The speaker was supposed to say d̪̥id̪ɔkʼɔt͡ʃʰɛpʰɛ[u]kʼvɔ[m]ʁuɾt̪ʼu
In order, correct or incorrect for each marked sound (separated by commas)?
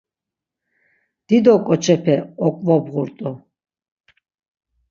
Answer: incorrect, incorrect